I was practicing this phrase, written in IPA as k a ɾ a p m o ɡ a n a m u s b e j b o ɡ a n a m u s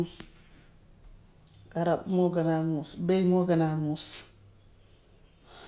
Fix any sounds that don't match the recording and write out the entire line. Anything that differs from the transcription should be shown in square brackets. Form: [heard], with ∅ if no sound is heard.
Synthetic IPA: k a ɾ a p m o ɡ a n a m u s b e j [m] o ɡ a n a m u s